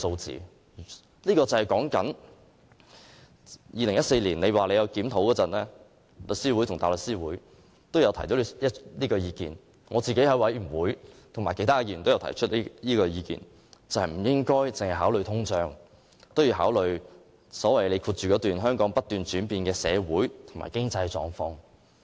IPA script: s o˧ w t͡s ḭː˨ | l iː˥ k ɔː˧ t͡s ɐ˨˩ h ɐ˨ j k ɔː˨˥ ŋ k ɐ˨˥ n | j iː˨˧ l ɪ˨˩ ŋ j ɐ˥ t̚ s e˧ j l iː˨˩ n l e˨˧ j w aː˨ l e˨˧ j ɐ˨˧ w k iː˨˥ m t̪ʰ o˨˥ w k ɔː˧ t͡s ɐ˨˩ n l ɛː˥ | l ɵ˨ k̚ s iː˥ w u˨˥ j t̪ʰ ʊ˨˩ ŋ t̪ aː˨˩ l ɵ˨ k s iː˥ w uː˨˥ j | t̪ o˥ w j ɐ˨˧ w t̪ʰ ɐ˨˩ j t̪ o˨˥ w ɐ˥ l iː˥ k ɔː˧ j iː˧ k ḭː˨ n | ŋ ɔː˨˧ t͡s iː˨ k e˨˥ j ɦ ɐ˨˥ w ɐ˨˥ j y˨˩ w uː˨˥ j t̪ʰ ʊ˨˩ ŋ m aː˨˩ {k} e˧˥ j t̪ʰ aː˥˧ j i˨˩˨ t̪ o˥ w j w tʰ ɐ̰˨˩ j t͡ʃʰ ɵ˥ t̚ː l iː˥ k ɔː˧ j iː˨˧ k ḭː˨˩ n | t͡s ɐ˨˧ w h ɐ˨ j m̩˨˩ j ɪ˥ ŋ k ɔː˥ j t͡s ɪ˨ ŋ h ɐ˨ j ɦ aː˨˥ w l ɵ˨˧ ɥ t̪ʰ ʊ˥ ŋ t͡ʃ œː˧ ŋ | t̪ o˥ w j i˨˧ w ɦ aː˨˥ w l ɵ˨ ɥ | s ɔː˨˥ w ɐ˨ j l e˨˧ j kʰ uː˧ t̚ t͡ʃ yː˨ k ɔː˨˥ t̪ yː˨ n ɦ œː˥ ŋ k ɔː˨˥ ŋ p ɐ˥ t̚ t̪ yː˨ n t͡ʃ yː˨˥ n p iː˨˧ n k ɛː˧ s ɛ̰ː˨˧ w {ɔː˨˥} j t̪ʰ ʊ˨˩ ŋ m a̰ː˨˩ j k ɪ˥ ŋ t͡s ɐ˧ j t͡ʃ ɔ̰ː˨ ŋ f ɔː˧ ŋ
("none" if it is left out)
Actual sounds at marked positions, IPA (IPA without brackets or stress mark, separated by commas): k, uː˨˥